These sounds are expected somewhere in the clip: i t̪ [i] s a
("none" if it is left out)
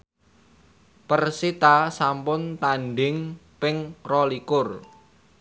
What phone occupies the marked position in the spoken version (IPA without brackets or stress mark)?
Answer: a